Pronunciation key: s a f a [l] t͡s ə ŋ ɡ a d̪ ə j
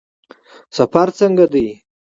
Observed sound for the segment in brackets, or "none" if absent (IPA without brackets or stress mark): ɾ